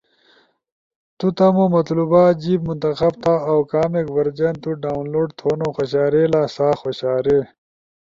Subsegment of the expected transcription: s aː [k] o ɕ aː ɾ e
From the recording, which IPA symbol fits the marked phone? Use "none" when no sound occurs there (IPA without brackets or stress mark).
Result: x